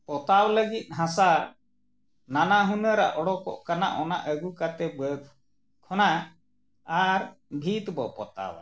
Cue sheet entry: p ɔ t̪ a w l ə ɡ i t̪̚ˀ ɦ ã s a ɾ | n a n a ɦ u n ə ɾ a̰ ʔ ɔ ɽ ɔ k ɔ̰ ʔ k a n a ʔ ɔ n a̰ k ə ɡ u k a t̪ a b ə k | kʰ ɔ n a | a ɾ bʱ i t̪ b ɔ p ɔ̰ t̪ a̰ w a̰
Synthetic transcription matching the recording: p ɔ t̪ a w l ə ɡ i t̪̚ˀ ɦ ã s a ɾ | n a n a ɦ u n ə ɾ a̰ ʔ ɔ ɽ ɔ k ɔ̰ ʔ k a n a ʔ ɔ n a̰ ʔ ə ɡ u k a t̪ ɛ b ə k | kʰ ɔ n a | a ɾ bʱ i t̪ b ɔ p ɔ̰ t̪ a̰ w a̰